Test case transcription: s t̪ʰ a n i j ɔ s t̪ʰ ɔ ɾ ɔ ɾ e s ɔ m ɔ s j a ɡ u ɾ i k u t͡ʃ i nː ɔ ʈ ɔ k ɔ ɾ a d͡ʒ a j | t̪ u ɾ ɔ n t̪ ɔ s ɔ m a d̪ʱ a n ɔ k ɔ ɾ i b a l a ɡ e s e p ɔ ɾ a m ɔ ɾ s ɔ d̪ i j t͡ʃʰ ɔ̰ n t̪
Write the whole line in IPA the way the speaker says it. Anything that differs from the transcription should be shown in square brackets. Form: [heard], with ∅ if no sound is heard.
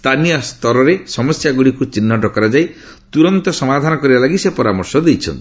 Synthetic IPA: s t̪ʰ a n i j ɔ s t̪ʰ ɔ ɾ ɔ ɾ e s ɔ m ɔ s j a ɡ u [ɽ] i k u t͡ʃ i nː ɔ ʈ ɔ k ɔ ɾ a d͡ʒ a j | t̪ u ɾ ɔ n t̪ ɔ s ɔ m a d̪ʱ a n ɔ k ɔ ɾ i b a l a ɡ [i] s e p ɔ ɾ a m ɔ ɾ s ɔ d̪ [e] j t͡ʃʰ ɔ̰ n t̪